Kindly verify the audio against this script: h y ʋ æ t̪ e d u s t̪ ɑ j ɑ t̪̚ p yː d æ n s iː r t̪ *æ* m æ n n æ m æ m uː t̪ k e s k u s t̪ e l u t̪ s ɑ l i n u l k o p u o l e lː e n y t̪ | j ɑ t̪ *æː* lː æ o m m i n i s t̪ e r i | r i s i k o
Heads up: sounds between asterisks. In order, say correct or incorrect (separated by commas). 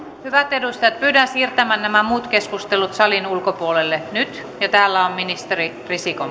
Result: correct, correct